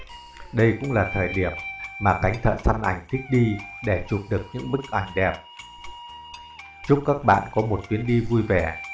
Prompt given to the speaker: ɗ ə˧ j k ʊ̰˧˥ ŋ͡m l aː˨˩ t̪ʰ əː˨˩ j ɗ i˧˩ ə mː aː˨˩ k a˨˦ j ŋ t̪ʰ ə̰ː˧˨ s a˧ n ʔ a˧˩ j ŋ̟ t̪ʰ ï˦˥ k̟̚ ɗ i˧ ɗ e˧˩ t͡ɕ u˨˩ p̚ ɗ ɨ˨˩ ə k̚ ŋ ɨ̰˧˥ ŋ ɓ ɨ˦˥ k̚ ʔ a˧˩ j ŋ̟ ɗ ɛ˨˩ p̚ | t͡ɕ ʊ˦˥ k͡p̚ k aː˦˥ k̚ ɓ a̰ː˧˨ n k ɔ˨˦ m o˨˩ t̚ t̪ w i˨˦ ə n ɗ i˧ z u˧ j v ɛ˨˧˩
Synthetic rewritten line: ɗ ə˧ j k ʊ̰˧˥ ŋ͡m l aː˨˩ t̪ʰ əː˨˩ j ɗ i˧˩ ə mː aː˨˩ k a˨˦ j ŋ t̪ʰ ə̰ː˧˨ s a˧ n ʔ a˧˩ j ŋ̟ t̪ʰ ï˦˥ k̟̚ ɗ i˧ ɗ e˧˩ t͡ɕ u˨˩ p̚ ɗ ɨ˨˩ ə k̚ ɲ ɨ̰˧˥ ŋ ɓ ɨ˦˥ k̚ ʔ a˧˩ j ŋ̟ ɗ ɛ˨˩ p̚ | t͡ɕ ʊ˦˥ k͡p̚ k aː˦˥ k̚ ɓ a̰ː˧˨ n k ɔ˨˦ m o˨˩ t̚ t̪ w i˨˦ ə n ɗ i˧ v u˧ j v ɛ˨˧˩